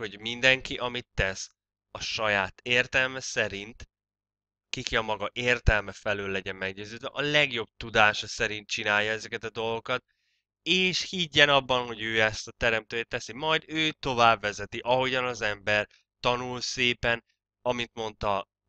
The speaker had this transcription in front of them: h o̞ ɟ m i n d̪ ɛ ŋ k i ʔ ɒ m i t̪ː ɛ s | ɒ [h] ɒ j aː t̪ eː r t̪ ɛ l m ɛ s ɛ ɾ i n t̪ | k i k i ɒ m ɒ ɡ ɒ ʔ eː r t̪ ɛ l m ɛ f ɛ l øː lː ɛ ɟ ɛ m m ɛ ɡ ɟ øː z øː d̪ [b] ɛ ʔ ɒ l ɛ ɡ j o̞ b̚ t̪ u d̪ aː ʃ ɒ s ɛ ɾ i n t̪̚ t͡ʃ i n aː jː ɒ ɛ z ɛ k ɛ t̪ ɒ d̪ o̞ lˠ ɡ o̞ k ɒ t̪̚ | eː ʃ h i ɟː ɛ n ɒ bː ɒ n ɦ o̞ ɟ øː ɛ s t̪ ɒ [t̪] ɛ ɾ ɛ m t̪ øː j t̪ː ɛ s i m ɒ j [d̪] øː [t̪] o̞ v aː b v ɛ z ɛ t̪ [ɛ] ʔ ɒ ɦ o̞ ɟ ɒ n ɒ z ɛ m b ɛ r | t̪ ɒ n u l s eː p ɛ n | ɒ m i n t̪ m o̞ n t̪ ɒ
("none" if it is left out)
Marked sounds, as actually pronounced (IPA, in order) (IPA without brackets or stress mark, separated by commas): ʃ, v, t̪, d̪, t̪, i